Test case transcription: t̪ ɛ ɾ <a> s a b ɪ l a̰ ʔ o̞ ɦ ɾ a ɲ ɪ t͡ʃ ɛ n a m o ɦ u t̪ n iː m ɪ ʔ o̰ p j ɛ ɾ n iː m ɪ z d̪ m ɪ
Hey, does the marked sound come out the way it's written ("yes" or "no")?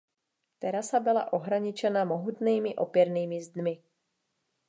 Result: yes